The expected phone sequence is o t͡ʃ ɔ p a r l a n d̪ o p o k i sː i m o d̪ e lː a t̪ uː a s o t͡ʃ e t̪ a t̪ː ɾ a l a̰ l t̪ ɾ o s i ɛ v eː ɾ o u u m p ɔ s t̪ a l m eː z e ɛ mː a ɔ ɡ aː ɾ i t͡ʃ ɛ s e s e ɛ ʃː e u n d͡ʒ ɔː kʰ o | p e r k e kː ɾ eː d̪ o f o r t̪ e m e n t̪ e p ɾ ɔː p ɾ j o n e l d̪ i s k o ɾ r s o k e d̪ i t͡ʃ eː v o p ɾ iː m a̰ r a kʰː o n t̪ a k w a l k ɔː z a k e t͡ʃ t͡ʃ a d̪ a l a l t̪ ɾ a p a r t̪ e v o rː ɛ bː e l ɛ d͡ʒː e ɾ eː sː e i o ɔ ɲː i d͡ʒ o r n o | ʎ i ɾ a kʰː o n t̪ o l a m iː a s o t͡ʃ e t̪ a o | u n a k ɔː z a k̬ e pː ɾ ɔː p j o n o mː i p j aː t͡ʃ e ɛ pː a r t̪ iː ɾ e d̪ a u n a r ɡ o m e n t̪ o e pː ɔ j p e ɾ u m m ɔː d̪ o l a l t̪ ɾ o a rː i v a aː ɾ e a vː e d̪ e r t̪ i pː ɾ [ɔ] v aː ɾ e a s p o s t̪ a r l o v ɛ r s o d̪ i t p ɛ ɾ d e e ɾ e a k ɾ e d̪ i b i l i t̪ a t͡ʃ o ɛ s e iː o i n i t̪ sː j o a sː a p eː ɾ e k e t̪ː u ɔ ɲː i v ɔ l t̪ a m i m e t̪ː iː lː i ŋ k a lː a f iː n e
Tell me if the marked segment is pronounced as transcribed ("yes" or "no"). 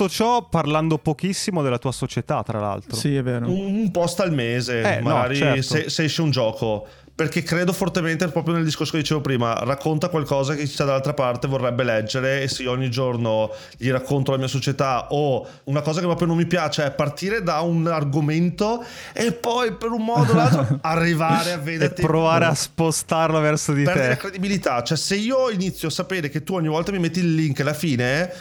no